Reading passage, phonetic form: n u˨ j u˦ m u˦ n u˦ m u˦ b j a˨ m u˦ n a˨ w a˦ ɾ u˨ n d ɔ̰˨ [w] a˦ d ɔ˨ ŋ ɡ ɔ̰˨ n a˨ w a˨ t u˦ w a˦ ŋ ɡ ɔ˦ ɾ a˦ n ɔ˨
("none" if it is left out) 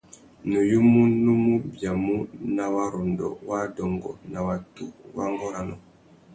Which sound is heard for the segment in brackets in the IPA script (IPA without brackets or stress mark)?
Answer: w